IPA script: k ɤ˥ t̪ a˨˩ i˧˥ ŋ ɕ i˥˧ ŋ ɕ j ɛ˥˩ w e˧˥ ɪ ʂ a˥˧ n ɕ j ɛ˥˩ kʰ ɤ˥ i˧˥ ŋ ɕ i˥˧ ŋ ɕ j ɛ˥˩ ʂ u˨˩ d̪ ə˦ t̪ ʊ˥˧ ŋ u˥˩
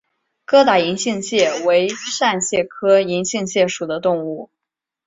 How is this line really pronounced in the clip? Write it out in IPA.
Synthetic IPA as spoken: k ɤ˥ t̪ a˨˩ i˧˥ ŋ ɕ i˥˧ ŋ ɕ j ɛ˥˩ w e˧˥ ɪ ʂ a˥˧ n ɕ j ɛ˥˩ kʰ ɤ˥ i˧˥ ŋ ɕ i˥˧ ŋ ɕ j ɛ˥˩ ʂ u˨˩ d̪ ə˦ t̪ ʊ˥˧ ŋ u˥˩